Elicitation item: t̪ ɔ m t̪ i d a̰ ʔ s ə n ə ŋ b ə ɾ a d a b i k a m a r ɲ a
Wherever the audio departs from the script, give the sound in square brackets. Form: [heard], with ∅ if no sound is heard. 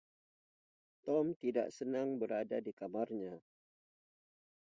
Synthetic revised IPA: t̪ ɔ m t̪ i d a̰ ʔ s ə n [a] ŋ b ə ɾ a d a [d] i k a m a r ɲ a